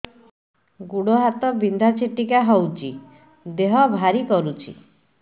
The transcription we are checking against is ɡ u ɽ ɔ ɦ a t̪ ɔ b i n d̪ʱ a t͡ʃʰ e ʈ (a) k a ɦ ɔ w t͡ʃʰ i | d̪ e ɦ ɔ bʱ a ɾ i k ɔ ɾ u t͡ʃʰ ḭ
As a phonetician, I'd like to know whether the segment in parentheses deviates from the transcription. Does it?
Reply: yes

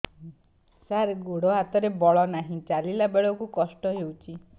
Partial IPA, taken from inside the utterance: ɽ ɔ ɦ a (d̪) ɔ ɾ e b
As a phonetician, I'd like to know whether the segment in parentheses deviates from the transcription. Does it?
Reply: yes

